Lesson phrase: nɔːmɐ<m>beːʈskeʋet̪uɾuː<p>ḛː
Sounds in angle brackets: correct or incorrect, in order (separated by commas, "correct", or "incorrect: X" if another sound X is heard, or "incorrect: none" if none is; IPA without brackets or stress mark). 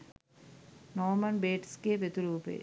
incorrect: n, correct